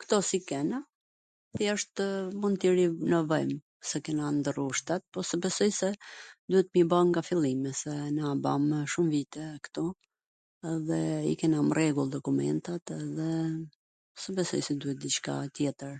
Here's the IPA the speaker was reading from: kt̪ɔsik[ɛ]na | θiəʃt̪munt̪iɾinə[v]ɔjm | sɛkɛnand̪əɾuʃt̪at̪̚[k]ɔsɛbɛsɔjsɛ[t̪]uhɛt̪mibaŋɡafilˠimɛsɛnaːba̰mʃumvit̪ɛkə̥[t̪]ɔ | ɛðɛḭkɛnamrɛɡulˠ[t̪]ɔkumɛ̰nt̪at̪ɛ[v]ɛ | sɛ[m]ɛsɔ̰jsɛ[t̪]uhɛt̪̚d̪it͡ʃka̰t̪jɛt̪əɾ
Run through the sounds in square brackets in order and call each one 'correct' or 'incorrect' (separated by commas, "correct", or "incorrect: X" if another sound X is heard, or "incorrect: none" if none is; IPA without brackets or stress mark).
correct, correct, incorrect: p, incorrect: d̪, correct, incorrect: d̪, incorrect: ð, incorrect: b, incorrect: d̪